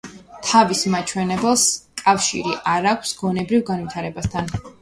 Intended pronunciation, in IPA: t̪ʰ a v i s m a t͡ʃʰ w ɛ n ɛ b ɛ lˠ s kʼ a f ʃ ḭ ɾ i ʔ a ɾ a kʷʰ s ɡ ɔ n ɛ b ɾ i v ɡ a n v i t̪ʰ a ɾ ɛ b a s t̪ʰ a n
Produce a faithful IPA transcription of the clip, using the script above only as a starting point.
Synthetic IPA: t̪ʰ a v i s m a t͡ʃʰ w ɛ n ɛ b ɛ lˠ s kʼ a f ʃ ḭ ɾ i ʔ a ɾ a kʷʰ s ɡ ɔ n ɛ b ɾ i v ɡ a n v i t̪ʰ a ɾ ɛ b a s t̪ʰ a n